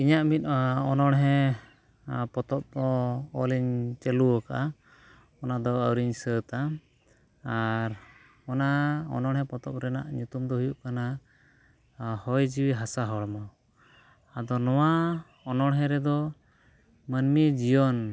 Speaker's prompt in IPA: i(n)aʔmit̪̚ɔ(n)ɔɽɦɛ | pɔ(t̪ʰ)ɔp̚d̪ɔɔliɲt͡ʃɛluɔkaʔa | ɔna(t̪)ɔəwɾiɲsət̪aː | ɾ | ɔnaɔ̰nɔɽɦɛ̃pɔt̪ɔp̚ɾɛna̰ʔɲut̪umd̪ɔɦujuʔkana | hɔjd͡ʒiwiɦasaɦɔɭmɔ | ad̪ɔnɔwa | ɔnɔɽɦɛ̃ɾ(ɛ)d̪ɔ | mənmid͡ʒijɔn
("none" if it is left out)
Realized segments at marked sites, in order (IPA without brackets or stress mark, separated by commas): ɲ, n, t̪, d̪, ɛ